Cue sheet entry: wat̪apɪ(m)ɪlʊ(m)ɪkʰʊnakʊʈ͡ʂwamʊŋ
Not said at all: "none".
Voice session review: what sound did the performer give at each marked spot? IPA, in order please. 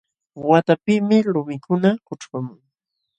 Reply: m, m

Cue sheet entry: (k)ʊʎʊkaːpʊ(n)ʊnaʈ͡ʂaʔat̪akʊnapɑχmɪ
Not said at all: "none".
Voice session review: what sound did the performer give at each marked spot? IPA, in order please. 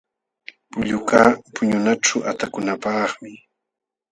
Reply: p, ɲ

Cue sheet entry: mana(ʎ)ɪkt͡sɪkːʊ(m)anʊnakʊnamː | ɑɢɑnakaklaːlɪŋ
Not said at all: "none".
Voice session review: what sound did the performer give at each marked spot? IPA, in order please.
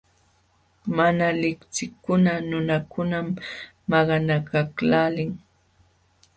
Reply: l, n

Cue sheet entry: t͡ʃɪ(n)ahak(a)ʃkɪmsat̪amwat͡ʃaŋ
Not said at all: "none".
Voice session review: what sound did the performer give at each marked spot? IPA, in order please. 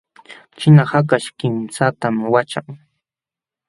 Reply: n, a

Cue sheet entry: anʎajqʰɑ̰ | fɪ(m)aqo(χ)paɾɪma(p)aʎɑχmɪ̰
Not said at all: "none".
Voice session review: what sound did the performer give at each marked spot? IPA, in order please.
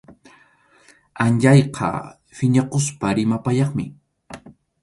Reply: ɲ, s, p

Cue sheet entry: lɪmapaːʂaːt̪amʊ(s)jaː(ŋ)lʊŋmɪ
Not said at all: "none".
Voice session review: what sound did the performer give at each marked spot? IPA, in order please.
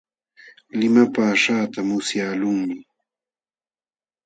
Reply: s, none

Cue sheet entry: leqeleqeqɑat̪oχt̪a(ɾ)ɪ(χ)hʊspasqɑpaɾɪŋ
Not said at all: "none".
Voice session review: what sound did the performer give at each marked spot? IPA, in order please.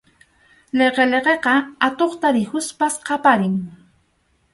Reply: ɾ, none

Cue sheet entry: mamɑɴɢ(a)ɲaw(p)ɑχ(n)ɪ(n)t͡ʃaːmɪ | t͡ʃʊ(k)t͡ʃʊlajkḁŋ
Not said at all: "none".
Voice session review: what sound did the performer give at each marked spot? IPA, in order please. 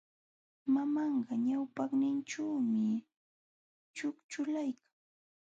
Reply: ɑ, p, n, n, k

